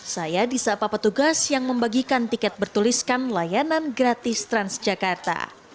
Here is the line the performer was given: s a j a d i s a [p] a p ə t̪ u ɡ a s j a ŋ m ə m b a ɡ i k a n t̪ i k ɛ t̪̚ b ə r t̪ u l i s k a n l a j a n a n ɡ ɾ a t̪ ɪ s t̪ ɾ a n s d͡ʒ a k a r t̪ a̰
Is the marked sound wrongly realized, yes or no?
no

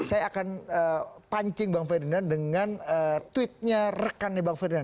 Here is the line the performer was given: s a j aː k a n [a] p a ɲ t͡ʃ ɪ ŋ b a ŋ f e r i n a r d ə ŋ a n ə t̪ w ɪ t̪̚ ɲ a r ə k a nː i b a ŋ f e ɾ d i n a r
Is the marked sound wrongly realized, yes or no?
yes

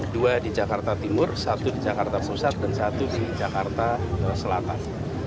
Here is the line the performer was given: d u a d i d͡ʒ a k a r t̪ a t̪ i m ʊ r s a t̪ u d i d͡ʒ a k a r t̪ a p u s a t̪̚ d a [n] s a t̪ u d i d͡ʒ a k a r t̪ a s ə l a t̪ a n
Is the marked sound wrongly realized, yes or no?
no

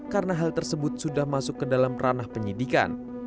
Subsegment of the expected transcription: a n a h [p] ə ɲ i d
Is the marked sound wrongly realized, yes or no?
no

